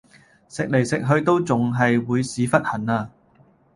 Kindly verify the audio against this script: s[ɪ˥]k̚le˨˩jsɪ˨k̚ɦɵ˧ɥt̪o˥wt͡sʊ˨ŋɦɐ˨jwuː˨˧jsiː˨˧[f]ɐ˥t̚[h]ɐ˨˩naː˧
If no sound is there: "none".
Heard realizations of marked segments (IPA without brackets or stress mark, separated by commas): ɪ˨, f, h